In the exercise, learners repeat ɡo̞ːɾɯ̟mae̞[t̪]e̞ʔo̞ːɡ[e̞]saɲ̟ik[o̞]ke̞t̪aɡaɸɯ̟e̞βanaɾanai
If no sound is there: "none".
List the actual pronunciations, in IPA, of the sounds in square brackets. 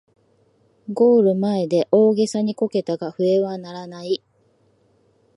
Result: d̪, e̞, o̞

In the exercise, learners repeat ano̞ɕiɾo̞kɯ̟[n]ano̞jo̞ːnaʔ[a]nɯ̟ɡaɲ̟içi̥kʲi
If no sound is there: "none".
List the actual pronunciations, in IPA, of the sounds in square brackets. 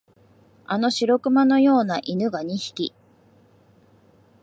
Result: m, i

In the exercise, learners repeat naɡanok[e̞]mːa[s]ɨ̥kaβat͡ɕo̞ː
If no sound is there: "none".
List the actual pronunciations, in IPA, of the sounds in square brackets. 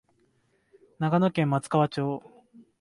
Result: ẽ̞, t͡s

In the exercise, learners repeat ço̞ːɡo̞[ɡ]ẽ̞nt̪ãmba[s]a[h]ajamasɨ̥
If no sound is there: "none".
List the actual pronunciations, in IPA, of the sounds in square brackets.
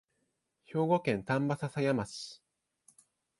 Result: k, s, s

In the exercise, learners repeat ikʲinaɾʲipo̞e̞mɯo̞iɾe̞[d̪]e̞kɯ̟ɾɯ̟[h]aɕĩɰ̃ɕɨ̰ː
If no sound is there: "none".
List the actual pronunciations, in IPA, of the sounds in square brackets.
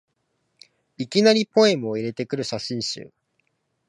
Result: t̪, ɕ

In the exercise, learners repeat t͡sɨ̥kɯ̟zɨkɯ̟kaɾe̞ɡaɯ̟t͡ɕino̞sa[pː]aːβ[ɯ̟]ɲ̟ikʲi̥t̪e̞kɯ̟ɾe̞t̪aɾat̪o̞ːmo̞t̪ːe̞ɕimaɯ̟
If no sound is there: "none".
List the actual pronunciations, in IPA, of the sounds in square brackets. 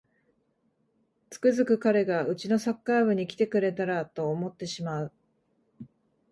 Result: kː, ɯ̟

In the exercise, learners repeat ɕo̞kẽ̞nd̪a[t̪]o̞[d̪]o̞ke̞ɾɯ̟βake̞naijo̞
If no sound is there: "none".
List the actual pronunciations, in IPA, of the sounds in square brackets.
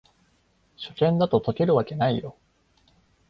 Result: t̪, t̪

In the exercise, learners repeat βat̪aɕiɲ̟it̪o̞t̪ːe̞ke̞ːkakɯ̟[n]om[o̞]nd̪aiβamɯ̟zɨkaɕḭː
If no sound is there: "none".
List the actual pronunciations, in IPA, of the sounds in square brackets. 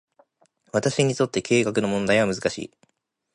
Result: n, õ̞

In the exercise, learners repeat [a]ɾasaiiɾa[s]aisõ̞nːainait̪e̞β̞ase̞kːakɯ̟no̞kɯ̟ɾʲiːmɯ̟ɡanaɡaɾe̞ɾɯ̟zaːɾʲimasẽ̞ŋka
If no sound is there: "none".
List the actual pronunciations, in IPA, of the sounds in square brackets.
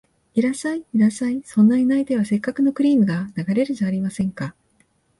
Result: i, s

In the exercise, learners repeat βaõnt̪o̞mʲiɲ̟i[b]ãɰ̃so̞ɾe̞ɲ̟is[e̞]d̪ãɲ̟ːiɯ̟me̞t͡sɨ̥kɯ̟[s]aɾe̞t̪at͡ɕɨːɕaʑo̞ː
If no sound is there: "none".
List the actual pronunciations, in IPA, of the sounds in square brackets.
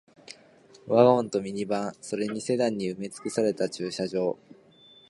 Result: b, e̞, s

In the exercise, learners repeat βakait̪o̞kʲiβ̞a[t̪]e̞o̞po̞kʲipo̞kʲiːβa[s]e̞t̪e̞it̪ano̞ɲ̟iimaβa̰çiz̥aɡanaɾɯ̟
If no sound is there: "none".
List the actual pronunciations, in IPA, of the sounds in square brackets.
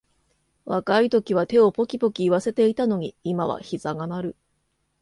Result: t̪, s

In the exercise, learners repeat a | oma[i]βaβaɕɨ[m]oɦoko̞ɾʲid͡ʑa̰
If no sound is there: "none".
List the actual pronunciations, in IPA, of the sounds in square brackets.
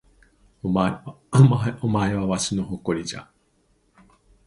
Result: e, n

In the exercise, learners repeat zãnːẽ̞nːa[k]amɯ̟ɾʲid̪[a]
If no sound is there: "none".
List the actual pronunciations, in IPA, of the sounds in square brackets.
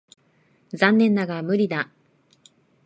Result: ɡ, a

